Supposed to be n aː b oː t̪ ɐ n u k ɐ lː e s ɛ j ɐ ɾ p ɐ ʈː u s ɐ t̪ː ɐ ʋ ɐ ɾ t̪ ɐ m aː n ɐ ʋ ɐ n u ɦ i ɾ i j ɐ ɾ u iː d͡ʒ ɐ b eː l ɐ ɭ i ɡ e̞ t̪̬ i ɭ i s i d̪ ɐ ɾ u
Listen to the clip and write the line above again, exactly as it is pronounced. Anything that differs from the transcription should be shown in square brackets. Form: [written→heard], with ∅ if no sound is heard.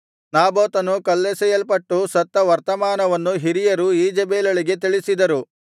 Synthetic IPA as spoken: n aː b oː t̪ ɐ n u k ɐ lː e s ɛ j ɐ [ɾ→l] p ɐ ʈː u s ɐ t̪ː ɐ ʋ ɐ ɾ t̪ ɐ m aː n ɐ ʋ ɐ [n→nː] u ɦ i ɾ i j ɐ ɾ u iː d͡ʒ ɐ b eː l ɐ ɭ i ɡ e̞ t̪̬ i ɭ i s i d̪ ɐ ɾ u